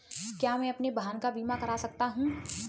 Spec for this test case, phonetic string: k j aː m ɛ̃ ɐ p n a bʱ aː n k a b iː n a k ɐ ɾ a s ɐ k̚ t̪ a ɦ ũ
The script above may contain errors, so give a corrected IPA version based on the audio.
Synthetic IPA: k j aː m ɛ̃ ɐ p n e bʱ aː n k a b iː m a k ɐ ɾ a s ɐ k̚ t̪ a ɦ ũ